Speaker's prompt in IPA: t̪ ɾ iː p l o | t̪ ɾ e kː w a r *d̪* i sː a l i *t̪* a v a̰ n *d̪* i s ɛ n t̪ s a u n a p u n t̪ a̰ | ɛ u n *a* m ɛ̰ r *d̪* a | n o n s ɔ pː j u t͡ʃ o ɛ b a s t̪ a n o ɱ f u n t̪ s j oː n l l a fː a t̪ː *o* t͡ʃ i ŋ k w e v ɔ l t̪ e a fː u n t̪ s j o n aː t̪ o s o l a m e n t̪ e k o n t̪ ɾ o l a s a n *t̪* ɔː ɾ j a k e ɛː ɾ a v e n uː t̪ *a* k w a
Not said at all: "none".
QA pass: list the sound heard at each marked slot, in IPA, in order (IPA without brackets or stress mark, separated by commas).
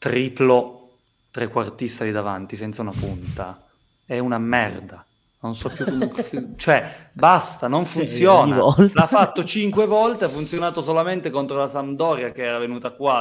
t̪, d̪, t̪, a, d̪, o, d̪, a